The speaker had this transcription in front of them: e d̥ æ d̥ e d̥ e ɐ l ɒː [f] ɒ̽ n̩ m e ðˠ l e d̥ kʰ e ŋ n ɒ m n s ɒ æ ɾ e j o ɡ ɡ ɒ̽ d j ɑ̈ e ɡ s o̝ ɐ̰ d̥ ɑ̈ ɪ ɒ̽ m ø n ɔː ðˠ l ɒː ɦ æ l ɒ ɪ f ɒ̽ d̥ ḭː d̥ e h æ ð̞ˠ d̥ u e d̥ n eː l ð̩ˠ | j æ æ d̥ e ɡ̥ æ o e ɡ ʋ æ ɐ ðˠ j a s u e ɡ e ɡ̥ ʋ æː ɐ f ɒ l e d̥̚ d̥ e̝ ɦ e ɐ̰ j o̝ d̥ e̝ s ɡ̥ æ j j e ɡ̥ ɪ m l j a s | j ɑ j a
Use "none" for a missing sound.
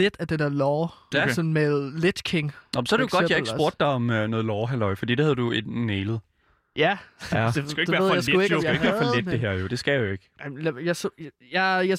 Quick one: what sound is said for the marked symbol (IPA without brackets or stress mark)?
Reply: s